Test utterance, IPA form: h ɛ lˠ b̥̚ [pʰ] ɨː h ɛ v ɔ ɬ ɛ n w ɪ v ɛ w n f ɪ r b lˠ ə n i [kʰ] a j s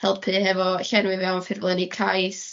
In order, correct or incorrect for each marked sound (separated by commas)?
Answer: correct, correct